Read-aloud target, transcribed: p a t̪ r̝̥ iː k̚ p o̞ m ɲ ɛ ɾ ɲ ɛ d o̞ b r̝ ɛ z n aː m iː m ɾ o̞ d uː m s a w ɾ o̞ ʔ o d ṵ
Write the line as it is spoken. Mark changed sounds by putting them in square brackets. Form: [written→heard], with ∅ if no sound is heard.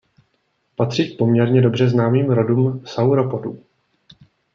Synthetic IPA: p a t̪ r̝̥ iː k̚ p o̞ m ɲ ɛ ɾ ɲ ɛ d o̞ b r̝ ɛ z n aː m iː m ɾ o̞ d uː m s a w ɾ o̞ [ʔ→p] o d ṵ